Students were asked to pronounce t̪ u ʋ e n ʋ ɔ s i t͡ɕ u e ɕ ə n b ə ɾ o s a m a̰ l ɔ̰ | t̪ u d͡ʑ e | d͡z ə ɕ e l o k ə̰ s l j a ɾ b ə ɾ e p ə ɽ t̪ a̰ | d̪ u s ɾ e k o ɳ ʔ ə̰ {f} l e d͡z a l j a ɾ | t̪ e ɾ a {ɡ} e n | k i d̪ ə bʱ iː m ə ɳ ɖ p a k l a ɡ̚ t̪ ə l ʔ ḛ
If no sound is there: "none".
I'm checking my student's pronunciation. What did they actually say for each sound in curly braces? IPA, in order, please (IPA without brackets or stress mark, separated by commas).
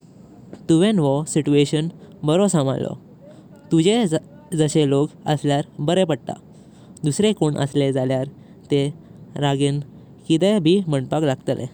s, ɡ